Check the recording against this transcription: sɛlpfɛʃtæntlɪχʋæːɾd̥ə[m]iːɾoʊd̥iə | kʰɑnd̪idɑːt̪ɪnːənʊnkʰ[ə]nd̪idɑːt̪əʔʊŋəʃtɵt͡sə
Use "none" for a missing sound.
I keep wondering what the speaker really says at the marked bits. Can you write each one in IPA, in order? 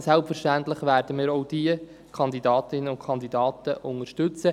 m, ɑ

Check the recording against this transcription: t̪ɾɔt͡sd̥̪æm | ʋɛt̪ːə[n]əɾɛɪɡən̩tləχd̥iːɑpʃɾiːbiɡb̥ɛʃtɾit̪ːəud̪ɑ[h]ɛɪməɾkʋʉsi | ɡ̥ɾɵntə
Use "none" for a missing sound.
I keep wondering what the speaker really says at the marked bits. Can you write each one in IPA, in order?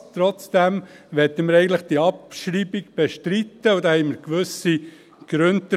m, h

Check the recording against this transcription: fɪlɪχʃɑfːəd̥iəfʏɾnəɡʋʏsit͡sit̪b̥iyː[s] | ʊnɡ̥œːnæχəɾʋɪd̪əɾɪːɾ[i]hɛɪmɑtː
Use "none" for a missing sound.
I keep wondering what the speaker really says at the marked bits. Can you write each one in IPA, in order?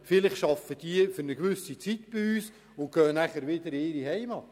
s, i

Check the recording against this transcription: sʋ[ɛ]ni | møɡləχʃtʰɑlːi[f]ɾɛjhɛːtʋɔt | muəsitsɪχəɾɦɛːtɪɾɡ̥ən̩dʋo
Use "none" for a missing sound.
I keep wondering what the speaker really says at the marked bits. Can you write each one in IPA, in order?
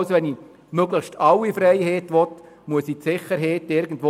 ɛ, f

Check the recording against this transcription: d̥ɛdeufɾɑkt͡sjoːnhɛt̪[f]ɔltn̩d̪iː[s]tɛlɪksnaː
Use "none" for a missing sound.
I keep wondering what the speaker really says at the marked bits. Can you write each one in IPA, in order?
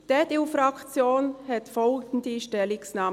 f, ʃ

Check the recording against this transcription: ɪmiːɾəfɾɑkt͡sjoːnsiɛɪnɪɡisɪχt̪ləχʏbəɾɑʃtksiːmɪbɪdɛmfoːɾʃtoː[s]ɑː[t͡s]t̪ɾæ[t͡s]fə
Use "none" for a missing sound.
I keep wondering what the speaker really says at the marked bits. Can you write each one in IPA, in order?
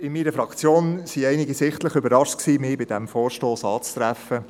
s, t͡s, none

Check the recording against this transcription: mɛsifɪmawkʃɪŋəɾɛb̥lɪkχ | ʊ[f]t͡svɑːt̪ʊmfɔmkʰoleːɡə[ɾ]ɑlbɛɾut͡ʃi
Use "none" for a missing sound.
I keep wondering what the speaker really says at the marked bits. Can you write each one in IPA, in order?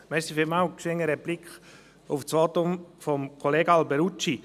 f, none

